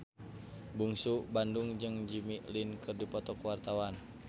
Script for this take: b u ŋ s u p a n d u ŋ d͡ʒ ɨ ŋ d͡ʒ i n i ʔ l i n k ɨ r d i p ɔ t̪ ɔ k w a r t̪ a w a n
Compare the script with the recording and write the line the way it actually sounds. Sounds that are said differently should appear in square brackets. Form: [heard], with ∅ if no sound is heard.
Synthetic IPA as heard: b u ŋ s u [b] a n d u ŋ d͡ʒ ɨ ŋ d͡ʒ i [m] i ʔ l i n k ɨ r d i p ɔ t̪ ɔ k w a r t̪ a w a n